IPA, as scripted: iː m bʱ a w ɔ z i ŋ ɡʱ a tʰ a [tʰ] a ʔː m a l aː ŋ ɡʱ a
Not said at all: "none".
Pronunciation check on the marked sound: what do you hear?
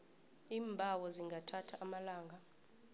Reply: tʰ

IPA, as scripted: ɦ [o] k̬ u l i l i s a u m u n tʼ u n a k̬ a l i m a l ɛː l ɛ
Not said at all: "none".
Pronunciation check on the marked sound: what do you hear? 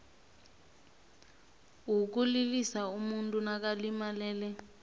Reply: u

